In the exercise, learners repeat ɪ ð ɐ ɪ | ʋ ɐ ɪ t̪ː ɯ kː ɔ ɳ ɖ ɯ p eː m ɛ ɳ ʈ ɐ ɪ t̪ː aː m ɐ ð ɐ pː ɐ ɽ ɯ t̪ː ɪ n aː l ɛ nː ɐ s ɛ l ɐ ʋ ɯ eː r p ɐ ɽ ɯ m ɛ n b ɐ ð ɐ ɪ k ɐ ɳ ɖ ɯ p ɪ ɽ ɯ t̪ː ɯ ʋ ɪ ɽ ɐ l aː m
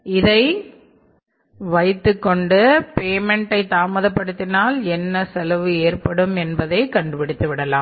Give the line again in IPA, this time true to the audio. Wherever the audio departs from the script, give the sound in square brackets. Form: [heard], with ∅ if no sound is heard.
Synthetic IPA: ɪ ð ɐ ɪ | ʋ ɐ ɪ t̪ː ɯ kː ɔ ɳ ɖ ɯ p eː m ɛ ɳ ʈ ɐ ɪ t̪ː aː m ɐ ð ɐ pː ɐ ɽ ɯ t̪ː ɪ n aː l ɛ nː ɐ s ɛ l ɐ ʋ ɯ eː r p ɐ ɽ ɯ m ɛ n b ɐ ð ɐ ɪ k ɐ ɳ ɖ ɯ p ɪ ɽ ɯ t̪ː ɯ ʋ ɪ ɽ ɐ l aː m